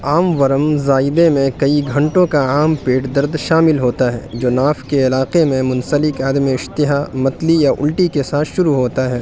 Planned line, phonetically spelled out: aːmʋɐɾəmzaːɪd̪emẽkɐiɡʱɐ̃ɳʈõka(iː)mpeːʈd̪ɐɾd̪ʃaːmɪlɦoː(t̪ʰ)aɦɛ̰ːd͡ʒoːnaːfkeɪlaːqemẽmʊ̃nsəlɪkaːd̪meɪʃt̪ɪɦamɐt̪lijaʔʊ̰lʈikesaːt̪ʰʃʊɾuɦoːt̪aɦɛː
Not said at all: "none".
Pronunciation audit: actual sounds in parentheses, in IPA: aː, t̪

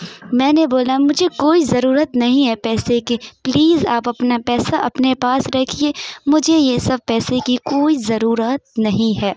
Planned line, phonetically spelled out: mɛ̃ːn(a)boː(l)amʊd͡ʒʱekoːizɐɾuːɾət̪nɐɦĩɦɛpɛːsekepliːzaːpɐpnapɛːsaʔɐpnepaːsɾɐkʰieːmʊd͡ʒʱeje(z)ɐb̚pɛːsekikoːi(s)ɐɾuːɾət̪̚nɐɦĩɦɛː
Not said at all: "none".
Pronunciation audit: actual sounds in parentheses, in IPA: e, l, s, z

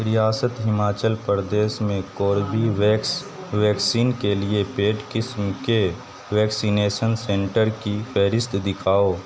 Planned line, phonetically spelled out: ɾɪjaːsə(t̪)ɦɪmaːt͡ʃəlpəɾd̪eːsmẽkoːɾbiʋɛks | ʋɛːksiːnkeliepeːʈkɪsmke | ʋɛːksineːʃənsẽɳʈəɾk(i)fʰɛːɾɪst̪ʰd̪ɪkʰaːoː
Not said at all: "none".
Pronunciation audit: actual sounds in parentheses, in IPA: t̪, i

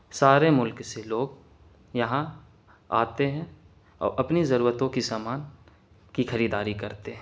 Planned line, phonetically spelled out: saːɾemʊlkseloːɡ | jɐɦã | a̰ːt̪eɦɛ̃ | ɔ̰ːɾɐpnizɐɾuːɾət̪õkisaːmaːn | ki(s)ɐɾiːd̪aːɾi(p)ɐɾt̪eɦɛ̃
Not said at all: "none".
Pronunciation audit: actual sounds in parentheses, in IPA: x, k

